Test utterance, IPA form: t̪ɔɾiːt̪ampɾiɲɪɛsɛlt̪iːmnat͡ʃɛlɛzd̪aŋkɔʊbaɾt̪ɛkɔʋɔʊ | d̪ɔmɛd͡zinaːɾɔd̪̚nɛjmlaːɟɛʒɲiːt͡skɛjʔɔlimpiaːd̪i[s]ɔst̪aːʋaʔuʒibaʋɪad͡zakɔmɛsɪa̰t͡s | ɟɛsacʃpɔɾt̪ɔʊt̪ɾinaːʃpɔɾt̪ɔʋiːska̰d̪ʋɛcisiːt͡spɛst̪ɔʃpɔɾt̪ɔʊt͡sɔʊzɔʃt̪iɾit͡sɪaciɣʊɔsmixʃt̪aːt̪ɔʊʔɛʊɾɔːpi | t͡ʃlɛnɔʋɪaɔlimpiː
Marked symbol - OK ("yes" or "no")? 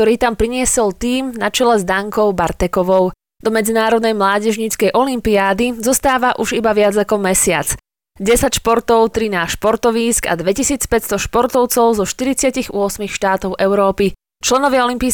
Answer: no